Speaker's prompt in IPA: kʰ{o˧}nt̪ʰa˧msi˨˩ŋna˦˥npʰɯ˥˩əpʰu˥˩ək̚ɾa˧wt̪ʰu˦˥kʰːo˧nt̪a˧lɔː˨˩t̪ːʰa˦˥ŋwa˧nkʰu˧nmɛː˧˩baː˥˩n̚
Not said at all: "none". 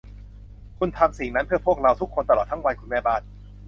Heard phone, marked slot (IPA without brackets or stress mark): u˧